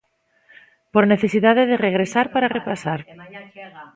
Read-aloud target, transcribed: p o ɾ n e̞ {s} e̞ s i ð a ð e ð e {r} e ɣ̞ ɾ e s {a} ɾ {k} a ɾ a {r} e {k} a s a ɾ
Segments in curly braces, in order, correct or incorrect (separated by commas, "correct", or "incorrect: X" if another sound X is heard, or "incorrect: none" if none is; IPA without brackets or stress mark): incorrect: θ, correct, correct, incorrect: p, correct, incorrect: p